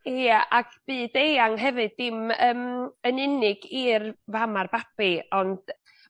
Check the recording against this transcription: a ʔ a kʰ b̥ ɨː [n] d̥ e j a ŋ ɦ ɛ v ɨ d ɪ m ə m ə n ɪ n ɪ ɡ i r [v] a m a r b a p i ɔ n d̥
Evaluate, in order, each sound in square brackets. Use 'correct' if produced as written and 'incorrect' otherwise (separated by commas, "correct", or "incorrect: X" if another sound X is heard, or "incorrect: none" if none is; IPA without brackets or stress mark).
incorrect: none, correct